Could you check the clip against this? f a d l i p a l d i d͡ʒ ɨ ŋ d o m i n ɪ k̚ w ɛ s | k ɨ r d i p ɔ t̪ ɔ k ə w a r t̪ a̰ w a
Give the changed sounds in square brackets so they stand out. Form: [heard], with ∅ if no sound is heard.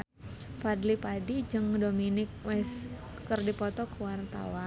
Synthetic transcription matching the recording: f a d l i p a [∅] d i d͡ʒ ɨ ŋ d o m i n ɪ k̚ w ɛ s | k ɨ r d i p ɔ t̪ ɔ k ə w a r t̪ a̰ w a